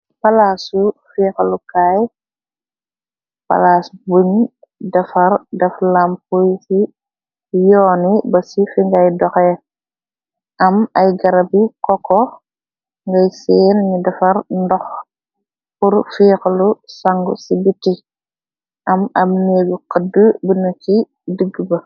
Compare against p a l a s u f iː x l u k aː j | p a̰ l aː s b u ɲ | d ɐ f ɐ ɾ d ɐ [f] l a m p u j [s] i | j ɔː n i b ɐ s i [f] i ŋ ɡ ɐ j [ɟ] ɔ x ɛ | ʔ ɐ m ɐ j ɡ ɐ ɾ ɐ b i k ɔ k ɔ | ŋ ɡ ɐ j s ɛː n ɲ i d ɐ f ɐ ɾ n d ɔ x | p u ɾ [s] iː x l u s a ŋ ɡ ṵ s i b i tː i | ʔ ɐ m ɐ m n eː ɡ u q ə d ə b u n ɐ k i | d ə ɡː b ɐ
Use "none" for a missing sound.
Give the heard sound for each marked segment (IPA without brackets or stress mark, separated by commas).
f, s, f, d, f